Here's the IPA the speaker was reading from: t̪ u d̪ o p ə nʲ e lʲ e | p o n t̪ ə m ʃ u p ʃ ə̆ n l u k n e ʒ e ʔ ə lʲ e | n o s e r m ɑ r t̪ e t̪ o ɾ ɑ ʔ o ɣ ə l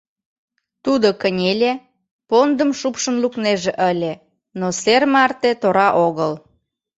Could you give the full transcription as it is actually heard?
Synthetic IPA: t̪ u d̪ o k ə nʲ e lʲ e | p o n d̪ ə m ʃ u p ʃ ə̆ n l u k n e ʒ e ʔ ə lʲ e | n o s e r m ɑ r t̪ e t̪ o ɾ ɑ ʔ o ɣ ə l